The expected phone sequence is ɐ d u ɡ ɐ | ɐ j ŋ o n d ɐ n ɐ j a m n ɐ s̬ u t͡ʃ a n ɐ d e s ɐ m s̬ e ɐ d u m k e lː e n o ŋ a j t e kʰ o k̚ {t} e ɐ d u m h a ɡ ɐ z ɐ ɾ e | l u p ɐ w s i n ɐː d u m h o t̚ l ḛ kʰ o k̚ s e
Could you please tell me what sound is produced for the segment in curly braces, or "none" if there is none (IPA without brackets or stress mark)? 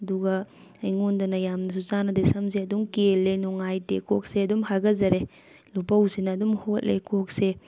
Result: s